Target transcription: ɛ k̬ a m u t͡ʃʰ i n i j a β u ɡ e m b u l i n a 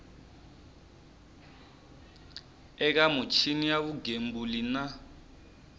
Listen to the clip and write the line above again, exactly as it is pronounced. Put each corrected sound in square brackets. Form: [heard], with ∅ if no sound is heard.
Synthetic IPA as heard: ɛ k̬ a m u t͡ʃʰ i n i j a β u ɡ e m b u l i n a